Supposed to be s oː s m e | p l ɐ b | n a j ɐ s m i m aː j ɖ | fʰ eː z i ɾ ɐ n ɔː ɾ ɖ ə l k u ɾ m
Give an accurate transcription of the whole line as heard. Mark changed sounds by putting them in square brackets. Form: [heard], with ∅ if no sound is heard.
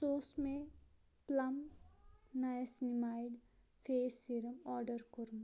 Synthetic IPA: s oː s m e | p l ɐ [m] | n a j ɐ s [n] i m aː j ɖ | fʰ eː [s] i ɾ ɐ [m] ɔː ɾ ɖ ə [ɾ] k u ɾ m